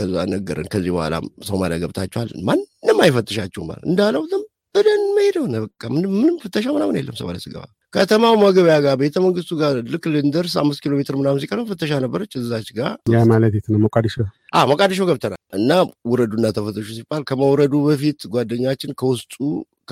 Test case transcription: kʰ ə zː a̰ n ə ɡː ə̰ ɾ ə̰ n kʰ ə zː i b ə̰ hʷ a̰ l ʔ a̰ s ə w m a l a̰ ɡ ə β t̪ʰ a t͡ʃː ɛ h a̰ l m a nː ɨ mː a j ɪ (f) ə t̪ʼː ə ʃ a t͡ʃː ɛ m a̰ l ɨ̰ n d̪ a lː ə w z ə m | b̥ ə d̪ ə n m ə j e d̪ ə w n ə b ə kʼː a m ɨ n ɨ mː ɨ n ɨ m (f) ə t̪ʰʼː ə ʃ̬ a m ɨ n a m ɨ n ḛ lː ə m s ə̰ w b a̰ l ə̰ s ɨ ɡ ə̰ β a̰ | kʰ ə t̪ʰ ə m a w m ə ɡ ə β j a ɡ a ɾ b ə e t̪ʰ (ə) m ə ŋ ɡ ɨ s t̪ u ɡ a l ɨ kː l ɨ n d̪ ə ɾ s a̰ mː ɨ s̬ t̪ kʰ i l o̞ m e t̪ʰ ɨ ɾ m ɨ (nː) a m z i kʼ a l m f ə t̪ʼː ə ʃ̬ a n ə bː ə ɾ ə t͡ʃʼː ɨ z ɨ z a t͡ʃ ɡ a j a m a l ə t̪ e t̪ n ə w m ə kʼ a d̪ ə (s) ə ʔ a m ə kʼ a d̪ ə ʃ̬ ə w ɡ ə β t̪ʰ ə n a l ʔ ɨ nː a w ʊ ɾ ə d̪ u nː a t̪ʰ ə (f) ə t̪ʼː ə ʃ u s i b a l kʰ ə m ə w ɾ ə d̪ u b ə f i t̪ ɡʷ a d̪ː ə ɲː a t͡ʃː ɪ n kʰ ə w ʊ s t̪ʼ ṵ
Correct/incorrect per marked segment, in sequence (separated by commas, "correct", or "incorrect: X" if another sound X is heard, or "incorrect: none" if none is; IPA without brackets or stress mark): correct, correct, correct, incorrect: n, incorrect: ʃ, correct